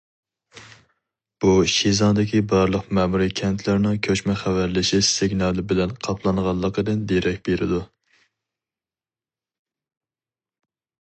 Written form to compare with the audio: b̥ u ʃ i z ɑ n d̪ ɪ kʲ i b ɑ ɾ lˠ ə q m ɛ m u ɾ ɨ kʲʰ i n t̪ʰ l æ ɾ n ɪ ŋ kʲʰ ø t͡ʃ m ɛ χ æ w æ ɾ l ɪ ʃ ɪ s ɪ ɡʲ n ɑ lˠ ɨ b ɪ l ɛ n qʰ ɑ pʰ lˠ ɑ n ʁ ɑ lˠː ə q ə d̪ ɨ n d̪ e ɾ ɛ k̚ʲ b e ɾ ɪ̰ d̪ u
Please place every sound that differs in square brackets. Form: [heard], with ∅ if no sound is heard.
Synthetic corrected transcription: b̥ u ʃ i z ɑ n d̪ ɪ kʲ i b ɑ ɾ lˠ ə q m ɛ m u ɾ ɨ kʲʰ [ɛ] n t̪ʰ l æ ɾ n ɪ ŋ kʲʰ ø t͡ʃ m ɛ χ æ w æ ɾ l ɪ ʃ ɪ s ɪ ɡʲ n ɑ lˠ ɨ b ɪ l ɛ n qʰ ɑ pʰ lˠ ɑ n ʁ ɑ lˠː ə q ə d̪ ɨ n d̪ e ɾ ɛ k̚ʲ b e ɾ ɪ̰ d̪ u